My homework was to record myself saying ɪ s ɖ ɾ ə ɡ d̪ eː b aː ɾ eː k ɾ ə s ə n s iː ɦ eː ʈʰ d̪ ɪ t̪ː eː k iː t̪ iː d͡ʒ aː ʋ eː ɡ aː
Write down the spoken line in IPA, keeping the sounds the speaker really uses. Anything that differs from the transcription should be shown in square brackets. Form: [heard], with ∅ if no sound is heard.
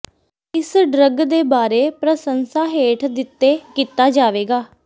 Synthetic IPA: ɪ s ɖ ɾ ə ɡ d̪ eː b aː ɾ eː [p] ɾ ə s ə n s [aː] ɦ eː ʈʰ d̪ ɪ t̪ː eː k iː t̪ [aː] d͡ʒ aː ʋ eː ɡ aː